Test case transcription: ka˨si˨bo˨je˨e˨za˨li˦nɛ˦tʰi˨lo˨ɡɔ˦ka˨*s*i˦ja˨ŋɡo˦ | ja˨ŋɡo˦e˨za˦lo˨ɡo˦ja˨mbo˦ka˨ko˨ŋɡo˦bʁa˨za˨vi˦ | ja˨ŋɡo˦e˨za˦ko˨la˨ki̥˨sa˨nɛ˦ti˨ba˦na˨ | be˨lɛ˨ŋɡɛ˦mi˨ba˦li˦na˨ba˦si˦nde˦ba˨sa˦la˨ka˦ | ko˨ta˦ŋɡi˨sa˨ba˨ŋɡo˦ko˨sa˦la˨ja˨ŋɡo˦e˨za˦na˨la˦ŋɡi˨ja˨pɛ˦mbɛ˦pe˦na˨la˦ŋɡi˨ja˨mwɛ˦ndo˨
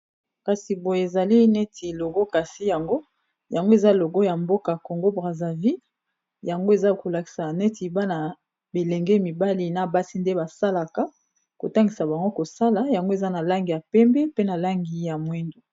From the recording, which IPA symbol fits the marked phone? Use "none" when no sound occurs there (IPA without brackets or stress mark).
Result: s